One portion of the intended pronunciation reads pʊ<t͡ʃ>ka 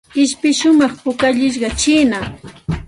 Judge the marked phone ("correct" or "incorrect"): incorrect